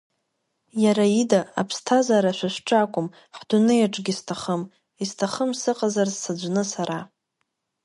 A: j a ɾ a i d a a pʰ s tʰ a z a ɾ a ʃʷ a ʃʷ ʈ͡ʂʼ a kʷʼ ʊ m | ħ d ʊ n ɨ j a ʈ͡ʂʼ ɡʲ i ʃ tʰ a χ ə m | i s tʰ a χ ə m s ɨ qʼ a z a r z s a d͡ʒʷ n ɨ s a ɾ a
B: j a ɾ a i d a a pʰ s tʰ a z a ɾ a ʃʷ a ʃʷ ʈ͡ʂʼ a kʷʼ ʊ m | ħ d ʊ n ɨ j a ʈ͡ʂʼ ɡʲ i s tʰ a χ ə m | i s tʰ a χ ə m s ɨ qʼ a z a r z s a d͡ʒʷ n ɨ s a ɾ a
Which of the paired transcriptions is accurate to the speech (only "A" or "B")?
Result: B